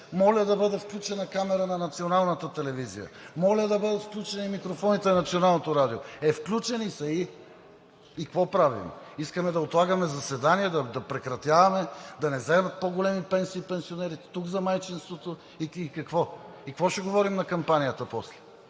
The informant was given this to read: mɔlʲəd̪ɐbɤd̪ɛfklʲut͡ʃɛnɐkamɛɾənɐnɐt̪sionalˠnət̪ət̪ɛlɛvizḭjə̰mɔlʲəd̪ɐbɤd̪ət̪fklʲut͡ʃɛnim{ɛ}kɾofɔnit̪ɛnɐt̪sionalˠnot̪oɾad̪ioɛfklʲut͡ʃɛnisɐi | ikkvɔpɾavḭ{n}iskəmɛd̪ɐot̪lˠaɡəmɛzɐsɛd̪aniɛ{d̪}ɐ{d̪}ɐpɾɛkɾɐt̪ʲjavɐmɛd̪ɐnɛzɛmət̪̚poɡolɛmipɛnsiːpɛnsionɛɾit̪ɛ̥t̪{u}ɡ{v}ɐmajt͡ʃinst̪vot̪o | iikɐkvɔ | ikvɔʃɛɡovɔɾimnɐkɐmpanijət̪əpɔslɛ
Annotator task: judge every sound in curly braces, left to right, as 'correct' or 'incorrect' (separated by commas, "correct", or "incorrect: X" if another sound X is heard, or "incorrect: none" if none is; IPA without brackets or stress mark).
incorrect: i, incorrect: m, correct, correct, correct, incorrect: z